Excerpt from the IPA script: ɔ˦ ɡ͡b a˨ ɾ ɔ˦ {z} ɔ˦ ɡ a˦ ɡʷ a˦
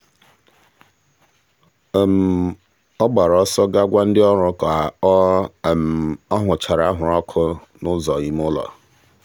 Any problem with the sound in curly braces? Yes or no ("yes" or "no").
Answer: yes